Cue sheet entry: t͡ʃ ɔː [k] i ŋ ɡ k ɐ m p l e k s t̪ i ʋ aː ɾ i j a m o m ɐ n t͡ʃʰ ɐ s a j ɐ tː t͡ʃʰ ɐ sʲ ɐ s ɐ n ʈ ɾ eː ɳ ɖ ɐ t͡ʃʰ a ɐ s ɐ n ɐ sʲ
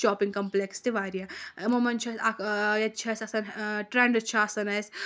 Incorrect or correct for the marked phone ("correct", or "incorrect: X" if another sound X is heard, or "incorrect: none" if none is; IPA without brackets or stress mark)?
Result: incorrect: p